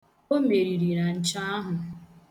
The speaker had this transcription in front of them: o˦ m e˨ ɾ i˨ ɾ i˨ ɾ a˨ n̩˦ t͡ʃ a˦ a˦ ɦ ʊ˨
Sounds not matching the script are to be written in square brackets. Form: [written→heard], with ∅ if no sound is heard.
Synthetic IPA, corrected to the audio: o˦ m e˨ ɾ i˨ ɾ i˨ ɾ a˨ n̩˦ t͡ʃ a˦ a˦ ɦ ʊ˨